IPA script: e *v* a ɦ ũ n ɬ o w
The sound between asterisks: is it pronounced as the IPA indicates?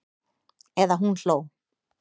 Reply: no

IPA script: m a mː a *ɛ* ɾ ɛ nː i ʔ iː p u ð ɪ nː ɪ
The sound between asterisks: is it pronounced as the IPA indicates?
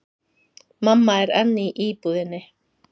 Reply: yes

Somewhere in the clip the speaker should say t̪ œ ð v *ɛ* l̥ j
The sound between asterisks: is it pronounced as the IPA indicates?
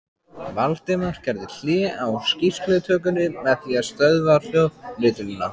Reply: no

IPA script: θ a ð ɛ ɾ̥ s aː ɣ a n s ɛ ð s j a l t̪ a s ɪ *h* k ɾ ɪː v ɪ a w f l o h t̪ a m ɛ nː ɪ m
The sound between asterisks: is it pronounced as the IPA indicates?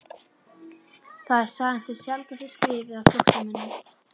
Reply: no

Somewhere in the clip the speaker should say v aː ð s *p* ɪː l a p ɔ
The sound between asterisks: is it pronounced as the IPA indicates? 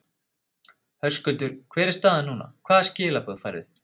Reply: no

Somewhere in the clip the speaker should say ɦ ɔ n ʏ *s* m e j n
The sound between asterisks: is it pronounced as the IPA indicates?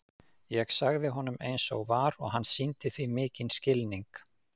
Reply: no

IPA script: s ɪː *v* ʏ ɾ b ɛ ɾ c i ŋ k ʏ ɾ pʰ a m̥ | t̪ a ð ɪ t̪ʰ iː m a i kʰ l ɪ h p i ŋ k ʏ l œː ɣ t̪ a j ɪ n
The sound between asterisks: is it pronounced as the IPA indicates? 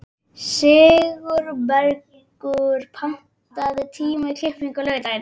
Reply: no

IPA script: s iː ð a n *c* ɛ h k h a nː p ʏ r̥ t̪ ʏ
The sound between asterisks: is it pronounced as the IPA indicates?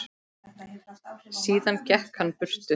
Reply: yes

